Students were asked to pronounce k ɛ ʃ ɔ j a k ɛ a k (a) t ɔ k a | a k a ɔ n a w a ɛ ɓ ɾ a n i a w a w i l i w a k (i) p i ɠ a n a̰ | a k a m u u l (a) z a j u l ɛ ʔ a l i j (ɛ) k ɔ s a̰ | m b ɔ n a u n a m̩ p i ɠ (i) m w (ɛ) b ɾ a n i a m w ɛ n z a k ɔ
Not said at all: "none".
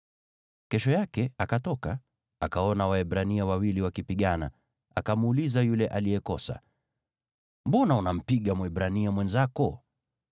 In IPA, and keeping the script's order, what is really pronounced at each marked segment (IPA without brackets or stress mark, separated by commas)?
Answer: a, i, i, ɛ, a, ɛ